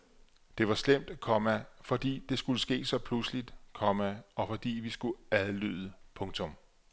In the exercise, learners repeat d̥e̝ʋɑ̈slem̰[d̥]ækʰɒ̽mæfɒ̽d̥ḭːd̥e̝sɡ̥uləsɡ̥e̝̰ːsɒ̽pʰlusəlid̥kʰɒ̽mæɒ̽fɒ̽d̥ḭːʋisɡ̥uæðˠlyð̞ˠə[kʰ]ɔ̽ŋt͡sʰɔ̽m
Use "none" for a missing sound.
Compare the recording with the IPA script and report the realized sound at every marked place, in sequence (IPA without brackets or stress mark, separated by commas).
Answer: d̥, pʰ